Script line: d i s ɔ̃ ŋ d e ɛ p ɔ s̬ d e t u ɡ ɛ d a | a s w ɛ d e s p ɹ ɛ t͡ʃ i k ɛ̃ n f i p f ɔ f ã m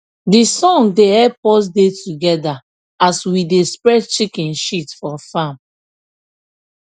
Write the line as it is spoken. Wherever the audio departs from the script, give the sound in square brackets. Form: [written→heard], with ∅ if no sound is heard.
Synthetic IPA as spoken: d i s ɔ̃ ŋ d e ɛ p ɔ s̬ d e t u ɡ ɛ d a | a s w [ɛ→i] d e s p ɹ ɛ t͡ʃ i k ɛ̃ n [f→ʃ] i [p→t] f ɔ f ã m